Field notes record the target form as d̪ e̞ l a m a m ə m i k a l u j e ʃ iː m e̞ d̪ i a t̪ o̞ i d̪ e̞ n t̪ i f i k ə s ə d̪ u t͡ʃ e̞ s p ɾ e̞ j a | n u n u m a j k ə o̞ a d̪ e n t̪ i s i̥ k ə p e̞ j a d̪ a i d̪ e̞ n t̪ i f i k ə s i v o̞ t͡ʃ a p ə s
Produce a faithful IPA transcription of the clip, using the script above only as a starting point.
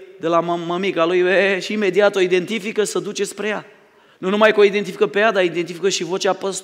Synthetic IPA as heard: d̪ e̞ l a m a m ə m i k a l u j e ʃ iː m e̞ d̪ i a t̪ o̞ i d̪ e̞ n t̪ i f i k ə s ə d̪ u t͡ʃ e̞ s p ɾ e̞ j a | n u n u m a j k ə o̞ i d̪ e n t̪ i f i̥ k ə p e̞ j a d̪ a i d̪ e̞ n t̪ i f i k ə ʃ i v o̞ t͡ʃ a p ə s